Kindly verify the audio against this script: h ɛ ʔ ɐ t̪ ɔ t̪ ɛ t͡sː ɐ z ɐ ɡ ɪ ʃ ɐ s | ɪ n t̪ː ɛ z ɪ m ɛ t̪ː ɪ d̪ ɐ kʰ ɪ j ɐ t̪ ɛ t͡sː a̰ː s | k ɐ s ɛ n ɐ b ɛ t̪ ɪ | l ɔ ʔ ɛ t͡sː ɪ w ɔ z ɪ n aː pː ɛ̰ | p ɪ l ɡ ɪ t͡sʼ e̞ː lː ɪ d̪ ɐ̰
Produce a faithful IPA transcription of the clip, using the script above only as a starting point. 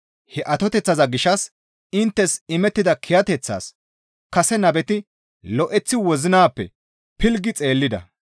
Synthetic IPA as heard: h ɛ ʔ ɐ t̪ ɔ t̪ ɛ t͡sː ɐ z ɐ ɡ ɪ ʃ ɐ s | ɪ n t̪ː ɛ s ɪ m ɛ t̪ː ɪ d̪ ɐ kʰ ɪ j ɐ t̪ ɛ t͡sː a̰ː s | k ɐ s ɛ n ɐ b ɛ t̪ ɪ | l ɔ ʔ ɛ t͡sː ɪ w ɔ z ɪ n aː pː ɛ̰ | p ɪ l ɡ ɪ t͡sʼ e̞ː lː ɪ d̪ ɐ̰